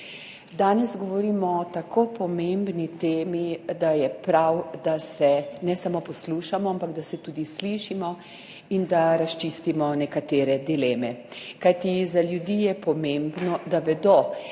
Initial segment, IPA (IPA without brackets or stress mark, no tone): d̪